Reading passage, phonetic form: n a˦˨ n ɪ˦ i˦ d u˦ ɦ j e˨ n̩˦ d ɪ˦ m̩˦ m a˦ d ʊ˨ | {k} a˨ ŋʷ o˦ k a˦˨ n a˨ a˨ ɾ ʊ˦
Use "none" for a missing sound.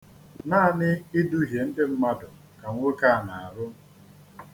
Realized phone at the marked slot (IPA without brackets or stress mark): k